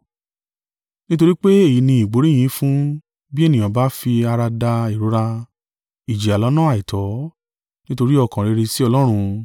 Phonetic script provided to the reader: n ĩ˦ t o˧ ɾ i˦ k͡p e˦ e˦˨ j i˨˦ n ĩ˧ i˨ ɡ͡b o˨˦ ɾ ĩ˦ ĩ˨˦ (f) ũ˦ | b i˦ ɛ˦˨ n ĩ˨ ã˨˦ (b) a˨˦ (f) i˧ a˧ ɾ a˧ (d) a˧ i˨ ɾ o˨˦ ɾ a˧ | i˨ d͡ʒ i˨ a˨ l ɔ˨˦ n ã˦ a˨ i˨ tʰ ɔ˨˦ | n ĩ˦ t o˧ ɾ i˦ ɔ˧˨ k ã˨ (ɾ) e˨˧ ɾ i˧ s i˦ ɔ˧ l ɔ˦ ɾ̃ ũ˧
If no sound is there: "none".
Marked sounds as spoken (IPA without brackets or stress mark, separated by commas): f, b, f, d, ɾ